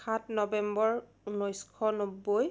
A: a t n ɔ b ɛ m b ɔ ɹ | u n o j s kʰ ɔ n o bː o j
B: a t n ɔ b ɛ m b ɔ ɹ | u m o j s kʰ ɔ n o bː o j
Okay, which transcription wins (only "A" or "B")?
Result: A